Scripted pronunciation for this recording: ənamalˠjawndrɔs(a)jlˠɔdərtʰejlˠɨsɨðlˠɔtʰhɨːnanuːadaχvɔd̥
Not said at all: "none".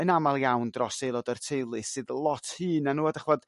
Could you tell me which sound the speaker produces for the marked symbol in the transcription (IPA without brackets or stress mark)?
e